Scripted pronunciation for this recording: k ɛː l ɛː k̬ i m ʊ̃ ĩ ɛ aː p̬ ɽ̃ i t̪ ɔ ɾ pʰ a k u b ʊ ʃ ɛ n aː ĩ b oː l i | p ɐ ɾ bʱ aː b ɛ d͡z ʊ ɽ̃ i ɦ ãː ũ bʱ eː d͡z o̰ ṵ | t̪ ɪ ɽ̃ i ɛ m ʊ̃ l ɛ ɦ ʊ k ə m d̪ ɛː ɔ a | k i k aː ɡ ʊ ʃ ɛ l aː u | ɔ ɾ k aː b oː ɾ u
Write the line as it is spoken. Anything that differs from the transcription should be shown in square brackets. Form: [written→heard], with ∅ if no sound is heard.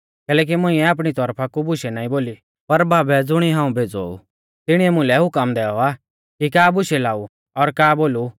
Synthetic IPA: k ɛː l ɛː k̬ i m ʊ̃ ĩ ɛ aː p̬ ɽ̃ i t̪ ɔ ɾ pʰ a k u b ʊ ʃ ɛ n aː ĩ b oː l i | p ɐ ɾ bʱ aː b ɛ d͡z ʊ ɽ̃ i ɦ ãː ũ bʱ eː d͡z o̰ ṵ | t̪ ɪ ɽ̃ i ɛ m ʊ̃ l ɛ ɦ ʊ k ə m d̪ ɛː ɔ a | k i k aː [ɡ→b] ʊ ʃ ɛ l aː u | ɔ ɾ k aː b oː [ɾ→l] u